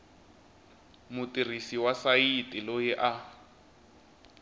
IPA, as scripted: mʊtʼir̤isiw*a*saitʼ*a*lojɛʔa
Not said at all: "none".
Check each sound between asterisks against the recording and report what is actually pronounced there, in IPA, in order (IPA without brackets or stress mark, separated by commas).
a, i